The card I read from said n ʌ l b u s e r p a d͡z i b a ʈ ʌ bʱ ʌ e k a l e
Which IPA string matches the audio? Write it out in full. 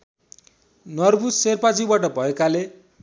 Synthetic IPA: n ʌ r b u s e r p a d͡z i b a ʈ ʌ bʱ ʌ e k a l e